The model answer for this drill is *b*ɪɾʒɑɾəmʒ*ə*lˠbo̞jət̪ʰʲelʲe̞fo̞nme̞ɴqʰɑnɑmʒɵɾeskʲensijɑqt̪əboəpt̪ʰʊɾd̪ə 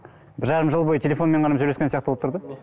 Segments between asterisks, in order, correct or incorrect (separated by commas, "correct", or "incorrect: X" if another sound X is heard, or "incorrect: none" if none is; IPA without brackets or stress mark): correct, correct